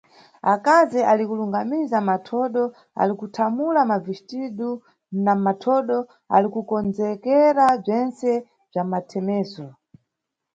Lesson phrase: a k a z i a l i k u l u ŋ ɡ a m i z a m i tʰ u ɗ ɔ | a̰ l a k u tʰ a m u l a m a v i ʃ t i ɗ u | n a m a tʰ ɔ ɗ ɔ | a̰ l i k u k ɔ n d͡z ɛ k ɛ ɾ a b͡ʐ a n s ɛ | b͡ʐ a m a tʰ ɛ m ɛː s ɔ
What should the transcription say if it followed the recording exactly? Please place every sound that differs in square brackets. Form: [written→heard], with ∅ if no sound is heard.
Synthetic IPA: a k a z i a l i k u l u ŋ ɡ a m i z a m [i→a] tʰ [u→ɔ] ɗ ɔ | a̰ l [a→i] k u tʰ a m u l a m a v i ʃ t i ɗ u | n a m a tʰ ɔ ɗ ɔ | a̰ l i k u k ɔ n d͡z ɛ k ɛ ɾ a b͡ʐ [a→ɛ] n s ɛ | b͡ʐ a m a tʰ ɛ m ɛː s ɔ